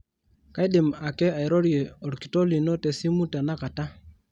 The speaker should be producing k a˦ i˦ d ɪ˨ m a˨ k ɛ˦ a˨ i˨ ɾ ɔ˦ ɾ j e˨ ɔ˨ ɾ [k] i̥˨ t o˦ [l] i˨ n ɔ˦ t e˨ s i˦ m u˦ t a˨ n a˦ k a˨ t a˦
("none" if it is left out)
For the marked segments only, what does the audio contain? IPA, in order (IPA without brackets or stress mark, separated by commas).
k, l